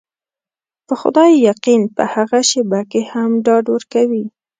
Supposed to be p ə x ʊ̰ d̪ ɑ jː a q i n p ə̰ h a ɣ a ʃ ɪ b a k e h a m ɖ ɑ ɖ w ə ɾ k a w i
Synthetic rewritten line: p ə x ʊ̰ d̪ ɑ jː a q i n p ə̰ h a ɣ a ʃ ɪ b a k e h a m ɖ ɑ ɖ w ə ɾ k a w i